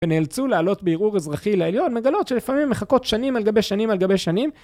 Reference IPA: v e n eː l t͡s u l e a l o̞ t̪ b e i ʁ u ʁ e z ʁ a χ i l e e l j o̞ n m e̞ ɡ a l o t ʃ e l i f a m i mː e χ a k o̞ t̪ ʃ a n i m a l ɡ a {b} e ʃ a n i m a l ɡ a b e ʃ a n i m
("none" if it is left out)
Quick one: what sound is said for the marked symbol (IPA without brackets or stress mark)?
b